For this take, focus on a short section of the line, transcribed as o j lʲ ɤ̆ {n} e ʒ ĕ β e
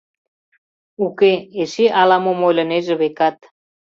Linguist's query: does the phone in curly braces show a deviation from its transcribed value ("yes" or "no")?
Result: no